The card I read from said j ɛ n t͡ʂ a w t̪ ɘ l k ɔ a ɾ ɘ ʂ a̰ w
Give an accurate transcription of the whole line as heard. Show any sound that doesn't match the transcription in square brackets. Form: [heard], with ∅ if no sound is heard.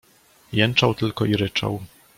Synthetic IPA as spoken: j ɛ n t͡ʂ a w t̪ ɘ l k ɔ [i] ɾ ɘ [t͡ʂ] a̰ w